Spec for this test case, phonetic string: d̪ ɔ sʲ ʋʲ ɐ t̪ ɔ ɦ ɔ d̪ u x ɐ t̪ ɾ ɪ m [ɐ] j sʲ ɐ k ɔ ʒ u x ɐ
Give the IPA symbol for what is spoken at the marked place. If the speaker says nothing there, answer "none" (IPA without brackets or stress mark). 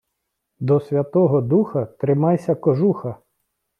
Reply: ɑ